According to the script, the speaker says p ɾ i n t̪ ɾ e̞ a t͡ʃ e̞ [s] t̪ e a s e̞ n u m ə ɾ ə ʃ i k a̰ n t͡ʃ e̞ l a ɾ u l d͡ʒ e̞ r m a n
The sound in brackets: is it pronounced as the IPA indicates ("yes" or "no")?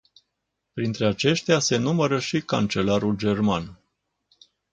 no